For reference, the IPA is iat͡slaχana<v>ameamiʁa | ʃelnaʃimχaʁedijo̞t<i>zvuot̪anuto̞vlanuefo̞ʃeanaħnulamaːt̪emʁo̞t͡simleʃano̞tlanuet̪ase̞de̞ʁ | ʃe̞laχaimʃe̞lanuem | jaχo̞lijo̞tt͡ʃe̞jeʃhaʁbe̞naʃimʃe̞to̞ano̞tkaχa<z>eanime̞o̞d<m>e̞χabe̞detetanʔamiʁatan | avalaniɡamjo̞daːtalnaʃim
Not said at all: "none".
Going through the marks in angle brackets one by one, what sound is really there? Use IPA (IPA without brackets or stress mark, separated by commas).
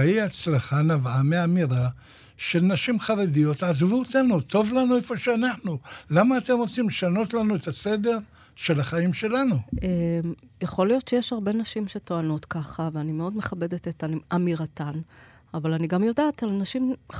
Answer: v, a, v, m